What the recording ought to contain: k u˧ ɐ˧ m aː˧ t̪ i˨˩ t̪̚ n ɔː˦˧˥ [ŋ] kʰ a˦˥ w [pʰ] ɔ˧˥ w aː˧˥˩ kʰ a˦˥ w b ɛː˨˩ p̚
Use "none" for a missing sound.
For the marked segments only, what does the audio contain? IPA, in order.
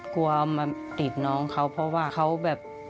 ŋ, pʰ

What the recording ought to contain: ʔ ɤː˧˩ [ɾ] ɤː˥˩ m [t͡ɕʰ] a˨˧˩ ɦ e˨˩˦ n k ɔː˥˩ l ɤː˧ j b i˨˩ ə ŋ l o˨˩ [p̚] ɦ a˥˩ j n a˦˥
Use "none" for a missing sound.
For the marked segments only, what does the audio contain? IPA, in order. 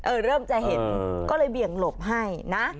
ɾ, t͡ɕ, p̚

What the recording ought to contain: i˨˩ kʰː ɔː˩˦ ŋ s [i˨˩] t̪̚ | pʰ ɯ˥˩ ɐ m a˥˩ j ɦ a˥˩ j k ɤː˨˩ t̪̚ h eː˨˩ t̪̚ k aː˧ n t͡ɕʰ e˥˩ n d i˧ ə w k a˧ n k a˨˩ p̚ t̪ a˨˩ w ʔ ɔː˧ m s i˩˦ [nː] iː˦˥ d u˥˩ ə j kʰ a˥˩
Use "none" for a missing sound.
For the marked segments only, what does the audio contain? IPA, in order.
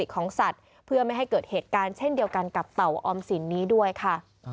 a˨˩, nː

